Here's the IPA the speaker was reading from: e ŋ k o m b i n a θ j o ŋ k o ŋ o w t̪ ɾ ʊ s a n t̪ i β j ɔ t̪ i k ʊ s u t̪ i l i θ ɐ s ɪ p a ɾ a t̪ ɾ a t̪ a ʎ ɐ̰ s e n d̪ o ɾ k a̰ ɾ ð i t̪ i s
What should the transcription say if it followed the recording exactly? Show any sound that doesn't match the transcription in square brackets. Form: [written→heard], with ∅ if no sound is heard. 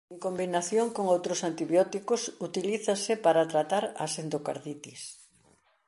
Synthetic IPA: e ŋ k o m b i n a θ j o ŋ k o ŋ o w t̪ ɾ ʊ s a n t̪ i β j ɔ t̪ i k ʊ s u t̪ i l i θ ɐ s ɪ p a ɾ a t̪ ɾ a t̪ a [ʎ→ɾ] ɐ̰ s e n d̪ o [ɾ→∅] k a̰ ɾ ð i t̪ i s